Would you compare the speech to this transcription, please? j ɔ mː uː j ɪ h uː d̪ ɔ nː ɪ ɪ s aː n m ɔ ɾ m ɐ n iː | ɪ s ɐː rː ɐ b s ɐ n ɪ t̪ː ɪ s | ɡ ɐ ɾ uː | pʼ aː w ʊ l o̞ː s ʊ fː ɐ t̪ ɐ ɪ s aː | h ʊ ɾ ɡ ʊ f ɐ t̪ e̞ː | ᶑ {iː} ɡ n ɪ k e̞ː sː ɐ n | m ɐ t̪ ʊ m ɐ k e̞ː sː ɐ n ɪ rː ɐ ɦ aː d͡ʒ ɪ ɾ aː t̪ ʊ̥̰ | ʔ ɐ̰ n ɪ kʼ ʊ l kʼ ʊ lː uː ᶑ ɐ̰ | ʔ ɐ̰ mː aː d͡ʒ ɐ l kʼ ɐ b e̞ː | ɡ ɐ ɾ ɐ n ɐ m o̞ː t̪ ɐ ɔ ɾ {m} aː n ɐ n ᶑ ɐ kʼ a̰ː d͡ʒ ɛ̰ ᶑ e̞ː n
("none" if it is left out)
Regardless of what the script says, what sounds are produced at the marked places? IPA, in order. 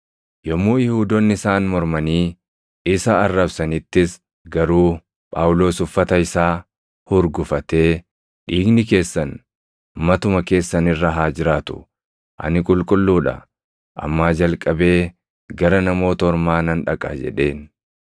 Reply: iː, m

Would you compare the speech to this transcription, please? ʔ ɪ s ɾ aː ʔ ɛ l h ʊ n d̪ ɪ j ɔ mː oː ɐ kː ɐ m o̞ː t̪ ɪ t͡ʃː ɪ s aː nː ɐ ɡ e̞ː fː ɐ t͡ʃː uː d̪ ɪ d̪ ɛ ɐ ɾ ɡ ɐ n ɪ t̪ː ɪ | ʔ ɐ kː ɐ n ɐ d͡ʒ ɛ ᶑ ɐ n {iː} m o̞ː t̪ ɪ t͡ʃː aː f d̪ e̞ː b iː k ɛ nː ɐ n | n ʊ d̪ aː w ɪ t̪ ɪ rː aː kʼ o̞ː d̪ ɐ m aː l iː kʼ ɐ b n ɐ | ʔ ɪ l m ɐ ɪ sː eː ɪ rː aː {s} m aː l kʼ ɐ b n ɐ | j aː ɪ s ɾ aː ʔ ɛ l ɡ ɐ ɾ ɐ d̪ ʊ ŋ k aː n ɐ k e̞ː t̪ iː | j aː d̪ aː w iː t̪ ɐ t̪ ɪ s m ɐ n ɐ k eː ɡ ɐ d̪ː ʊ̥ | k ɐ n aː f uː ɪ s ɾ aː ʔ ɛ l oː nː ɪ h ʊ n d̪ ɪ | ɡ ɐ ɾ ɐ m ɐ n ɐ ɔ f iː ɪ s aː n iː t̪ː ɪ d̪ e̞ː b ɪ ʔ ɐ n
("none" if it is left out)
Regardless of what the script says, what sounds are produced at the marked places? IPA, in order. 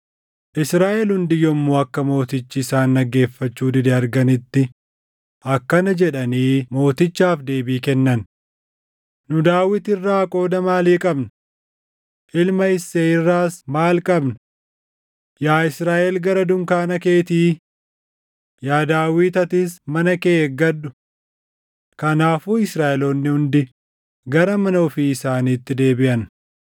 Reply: iː, s

